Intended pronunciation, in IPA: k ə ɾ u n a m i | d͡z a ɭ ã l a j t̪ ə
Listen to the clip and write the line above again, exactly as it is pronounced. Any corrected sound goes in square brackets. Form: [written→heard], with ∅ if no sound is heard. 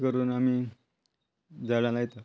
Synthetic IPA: k ə ɾ [u→uː] n a m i | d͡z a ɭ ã l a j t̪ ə